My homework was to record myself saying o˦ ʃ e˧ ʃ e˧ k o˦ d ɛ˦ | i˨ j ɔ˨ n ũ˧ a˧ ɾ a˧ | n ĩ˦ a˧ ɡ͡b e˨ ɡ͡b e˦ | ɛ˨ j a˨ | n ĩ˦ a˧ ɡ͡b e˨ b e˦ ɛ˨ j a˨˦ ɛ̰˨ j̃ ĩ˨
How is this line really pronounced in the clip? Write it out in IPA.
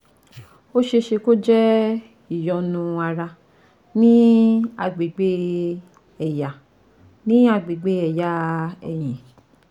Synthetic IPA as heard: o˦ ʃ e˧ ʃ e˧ k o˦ d͡ʒ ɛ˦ | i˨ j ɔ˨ n ũ˧ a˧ ɾ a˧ | n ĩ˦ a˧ ɡ͡b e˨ ɡ͡b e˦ | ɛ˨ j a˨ | n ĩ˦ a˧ ɡ͡b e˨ ɡ͡b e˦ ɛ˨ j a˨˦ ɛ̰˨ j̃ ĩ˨